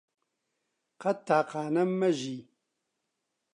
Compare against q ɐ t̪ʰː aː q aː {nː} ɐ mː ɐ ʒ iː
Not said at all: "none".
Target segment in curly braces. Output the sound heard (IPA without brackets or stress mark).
n